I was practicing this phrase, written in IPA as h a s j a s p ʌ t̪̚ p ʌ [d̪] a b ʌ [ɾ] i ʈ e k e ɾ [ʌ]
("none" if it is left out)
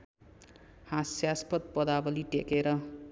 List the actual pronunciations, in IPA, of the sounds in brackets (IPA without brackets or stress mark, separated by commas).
d̪, l, ʌ